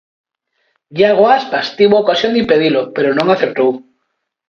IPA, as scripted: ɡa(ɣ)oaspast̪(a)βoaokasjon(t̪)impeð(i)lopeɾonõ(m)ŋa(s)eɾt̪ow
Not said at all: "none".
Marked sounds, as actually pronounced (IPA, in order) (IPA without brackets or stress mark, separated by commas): ɣ, i, d̪, i, none, θ